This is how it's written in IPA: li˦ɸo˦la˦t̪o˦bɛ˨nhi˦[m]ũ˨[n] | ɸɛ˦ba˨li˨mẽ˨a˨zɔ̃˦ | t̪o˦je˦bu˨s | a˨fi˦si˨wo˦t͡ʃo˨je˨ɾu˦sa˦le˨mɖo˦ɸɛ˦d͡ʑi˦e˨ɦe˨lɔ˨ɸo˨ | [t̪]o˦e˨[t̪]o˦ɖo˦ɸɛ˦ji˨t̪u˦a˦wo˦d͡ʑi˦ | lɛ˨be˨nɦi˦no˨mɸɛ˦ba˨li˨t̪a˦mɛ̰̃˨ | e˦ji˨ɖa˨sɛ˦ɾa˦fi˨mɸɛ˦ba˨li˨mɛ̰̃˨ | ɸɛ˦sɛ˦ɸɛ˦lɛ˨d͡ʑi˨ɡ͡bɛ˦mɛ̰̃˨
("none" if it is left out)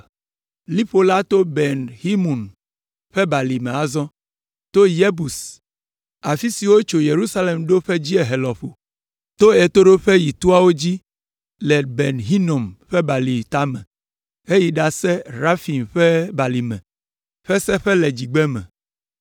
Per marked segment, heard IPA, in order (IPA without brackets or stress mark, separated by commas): m, n, t̪, t̪